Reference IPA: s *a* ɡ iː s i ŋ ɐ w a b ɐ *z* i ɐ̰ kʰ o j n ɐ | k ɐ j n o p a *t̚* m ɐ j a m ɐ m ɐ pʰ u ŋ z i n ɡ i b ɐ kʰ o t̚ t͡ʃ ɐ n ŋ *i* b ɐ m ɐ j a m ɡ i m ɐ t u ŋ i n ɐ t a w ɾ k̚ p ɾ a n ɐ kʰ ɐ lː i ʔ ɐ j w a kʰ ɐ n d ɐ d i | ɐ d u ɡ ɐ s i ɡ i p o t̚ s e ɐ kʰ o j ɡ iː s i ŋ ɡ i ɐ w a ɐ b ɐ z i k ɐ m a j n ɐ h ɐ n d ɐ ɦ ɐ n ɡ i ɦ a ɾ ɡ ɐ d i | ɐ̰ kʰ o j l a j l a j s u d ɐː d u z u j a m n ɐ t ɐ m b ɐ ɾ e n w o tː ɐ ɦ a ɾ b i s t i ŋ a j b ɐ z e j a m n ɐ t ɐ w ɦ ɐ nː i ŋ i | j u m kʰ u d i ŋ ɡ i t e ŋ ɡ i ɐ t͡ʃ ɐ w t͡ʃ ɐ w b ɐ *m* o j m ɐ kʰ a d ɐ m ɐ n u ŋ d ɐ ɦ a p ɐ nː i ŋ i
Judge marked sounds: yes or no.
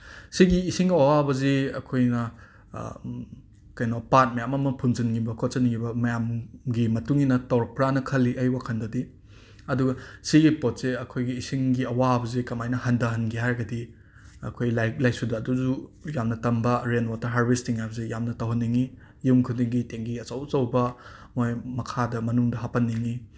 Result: no, yes, yes, yes, yes

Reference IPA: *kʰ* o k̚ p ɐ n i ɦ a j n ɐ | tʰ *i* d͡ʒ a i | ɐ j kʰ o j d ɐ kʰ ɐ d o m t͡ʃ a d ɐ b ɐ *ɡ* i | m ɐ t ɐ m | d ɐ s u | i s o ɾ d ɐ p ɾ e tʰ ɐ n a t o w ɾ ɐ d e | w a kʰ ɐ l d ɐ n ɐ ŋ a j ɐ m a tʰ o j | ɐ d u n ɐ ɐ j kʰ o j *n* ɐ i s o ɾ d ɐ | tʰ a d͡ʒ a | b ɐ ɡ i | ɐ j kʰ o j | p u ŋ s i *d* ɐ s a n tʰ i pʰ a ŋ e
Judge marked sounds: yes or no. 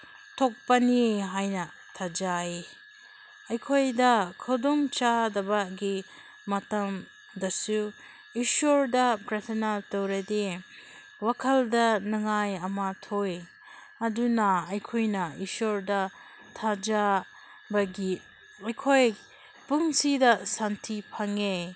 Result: no, no, yes, yes, yes

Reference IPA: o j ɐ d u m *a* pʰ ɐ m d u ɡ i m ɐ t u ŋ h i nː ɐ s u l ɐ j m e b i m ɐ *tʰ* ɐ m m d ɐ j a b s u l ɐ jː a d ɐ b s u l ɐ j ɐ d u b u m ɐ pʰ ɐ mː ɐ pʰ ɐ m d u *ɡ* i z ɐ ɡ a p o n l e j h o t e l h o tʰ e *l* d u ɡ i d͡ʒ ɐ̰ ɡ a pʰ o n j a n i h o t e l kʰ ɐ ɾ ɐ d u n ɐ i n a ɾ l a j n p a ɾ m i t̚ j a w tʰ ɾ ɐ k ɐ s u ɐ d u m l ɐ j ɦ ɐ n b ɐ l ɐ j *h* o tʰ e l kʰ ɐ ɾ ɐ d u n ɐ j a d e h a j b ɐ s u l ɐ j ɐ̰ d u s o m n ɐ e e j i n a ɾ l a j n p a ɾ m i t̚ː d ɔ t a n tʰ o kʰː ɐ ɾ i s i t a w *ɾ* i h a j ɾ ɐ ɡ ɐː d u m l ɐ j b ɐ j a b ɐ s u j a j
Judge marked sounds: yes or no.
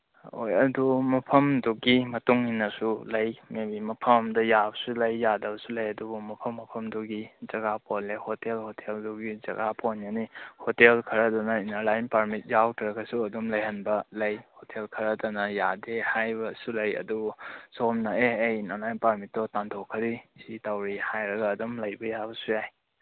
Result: no, no, yes, yes, yes, yes

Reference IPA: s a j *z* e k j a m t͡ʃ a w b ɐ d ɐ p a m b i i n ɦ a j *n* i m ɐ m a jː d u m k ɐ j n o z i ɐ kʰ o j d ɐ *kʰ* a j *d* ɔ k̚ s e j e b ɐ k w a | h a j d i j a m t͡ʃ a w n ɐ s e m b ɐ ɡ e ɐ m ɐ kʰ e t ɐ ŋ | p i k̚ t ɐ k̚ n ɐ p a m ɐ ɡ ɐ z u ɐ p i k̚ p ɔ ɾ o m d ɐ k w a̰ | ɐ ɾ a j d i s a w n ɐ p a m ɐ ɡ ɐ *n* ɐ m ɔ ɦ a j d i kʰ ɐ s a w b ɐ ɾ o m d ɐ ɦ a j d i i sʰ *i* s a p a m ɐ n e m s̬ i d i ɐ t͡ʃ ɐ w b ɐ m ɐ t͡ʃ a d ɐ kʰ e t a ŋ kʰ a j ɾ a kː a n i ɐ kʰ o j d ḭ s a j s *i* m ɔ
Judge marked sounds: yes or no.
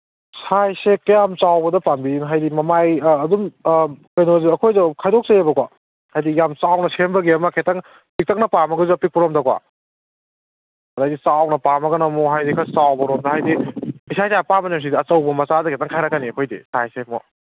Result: no, no, yes, yes, yes, no, no

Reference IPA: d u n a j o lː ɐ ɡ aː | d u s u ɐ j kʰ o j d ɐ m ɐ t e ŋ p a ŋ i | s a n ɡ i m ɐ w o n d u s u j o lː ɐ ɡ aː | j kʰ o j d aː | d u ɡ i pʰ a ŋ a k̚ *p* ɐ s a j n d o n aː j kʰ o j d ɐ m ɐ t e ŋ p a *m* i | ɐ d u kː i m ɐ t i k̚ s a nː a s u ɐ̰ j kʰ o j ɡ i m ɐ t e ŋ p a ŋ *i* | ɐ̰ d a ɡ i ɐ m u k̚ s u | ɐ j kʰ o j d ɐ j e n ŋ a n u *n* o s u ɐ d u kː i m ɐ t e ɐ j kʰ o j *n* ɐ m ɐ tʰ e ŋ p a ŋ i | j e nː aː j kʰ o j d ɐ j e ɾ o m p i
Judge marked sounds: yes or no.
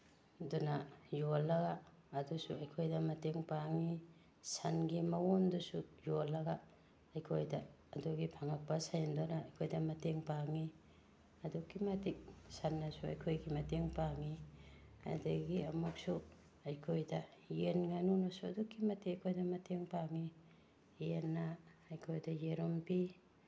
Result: yes, no, yes, yes, no

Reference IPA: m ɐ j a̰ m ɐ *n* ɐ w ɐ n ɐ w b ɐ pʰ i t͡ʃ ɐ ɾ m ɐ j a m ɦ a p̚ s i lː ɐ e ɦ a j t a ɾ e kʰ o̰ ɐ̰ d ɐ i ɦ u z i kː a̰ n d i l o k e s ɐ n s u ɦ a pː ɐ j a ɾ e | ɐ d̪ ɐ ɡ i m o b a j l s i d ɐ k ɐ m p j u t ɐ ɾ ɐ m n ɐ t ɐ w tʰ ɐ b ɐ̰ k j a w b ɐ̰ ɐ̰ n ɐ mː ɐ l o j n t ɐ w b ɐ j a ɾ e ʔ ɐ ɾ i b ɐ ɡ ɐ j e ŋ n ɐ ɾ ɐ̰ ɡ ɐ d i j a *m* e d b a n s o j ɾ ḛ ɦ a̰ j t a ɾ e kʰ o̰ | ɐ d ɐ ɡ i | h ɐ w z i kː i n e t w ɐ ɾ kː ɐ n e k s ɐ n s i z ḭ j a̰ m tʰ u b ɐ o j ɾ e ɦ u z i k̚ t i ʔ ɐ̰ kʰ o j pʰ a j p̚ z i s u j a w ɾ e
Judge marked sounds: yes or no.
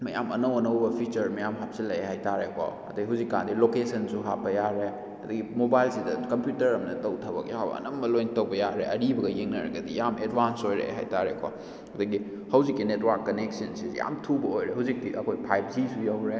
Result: yes, yes

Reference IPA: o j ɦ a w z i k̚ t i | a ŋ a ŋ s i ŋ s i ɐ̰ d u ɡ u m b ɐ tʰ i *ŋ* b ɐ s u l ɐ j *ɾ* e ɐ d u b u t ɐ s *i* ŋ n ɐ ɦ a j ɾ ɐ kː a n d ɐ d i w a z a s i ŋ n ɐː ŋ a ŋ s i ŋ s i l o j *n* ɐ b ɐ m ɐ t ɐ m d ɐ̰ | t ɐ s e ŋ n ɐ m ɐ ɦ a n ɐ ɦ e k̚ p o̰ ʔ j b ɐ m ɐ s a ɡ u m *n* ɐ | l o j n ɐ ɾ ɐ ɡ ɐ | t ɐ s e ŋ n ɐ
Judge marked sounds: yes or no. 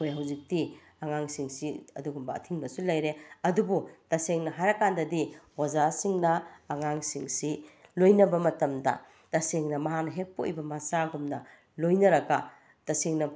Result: yes, yes, no, yes, yes

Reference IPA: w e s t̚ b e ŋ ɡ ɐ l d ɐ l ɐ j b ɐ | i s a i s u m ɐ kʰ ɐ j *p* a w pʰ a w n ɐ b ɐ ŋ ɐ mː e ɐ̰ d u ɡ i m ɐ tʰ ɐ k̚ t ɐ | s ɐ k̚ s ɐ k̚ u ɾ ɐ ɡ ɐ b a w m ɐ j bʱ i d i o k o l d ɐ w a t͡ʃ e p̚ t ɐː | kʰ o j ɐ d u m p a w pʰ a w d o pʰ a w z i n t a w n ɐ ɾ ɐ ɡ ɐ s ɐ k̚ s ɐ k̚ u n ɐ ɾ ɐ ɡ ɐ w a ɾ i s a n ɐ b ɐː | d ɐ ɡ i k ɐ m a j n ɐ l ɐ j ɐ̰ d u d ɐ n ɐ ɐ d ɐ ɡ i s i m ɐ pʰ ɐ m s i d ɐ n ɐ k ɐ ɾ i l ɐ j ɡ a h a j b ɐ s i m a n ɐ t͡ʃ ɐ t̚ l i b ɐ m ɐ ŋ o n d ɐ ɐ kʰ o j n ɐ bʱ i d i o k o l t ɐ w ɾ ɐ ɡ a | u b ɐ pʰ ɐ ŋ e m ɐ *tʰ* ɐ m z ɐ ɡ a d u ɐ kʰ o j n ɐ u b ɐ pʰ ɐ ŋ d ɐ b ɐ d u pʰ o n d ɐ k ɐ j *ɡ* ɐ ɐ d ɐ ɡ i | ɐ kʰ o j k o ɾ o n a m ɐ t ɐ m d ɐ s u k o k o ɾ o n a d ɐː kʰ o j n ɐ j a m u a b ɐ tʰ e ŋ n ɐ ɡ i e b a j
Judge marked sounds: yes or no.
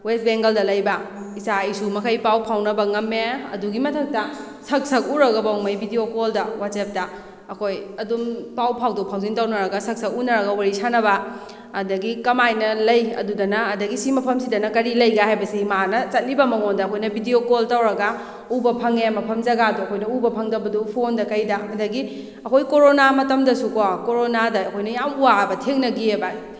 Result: yes, no, no

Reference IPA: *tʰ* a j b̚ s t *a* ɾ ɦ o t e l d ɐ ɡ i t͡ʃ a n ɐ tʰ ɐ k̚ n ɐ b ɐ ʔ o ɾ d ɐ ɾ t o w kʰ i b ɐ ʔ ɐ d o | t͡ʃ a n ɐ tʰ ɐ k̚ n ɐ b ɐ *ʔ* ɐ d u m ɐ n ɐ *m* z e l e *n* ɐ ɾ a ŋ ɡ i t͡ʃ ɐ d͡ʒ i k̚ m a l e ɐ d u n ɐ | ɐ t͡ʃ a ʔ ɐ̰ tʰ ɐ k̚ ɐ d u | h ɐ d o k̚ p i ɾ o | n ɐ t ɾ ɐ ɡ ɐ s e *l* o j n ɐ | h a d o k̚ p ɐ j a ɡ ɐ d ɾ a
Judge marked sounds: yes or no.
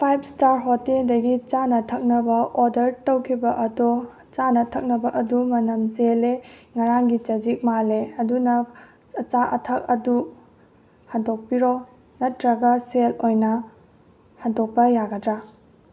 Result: no, yes, yes, yes, no, yes

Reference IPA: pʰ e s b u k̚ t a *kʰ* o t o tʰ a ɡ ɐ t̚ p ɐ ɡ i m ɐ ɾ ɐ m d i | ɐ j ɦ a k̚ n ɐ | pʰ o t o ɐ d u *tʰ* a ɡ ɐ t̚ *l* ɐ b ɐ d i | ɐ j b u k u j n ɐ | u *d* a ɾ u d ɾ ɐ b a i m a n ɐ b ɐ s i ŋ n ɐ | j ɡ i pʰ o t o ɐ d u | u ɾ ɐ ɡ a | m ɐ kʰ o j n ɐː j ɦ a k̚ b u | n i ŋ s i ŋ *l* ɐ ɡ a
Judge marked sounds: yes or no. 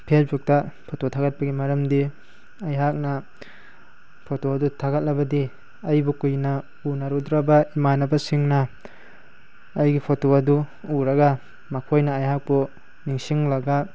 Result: no, yes, yes, no, yes

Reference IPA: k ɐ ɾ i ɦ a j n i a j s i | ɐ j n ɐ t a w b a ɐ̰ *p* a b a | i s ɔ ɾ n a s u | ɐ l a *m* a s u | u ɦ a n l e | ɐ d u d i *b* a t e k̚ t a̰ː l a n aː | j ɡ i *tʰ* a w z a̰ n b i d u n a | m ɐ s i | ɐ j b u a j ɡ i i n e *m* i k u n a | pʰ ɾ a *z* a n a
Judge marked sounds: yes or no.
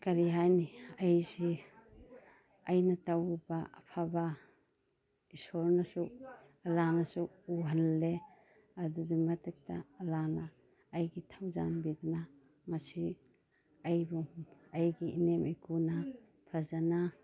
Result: no, no, no, yes, yes, yes

